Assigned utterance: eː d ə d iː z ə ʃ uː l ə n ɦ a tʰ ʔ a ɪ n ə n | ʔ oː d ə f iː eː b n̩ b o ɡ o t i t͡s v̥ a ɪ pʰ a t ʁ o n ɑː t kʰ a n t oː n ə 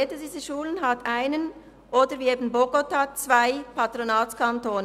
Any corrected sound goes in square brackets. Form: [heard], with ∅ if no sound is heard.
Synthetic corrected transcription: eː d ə d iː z ə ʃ uː l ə n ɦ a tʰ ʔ a ɪ n ə n | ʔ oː d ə [v] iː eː b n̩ b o ɡ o t [a] t͡s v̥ a ɪ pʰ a t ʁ o n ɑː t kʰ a n t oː n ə